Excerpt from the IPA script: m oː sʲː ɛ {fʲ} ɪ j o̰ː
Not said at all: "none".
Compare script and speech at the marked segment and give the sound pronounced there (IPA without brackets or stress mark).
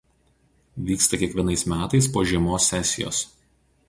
sʲ